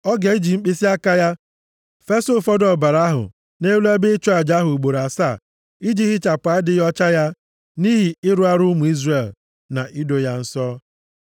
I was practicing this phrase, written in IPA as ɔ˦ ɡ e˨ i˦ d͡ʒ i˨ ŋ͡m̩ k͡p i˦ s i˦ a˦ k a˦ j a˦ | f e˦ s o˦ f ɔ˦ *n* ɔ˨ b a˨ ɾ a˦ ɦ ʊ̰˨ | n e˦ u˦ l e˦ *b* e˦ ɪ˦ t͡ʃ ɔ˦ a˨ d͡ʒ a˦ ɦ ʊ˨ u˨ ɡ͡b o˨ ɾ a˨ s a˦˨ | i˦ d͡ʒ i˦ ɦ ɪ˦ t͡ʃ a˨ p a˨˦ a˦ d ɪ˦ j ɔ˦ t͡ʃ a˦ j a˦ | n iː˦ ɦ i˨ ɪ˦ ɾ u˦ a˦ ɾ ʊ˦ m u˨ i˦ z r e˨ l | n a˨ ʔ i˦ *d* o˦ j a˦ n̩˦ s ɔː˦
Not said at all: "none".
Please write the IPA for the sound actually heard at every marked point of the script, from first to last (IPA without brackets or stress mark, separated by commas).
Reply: d, b, d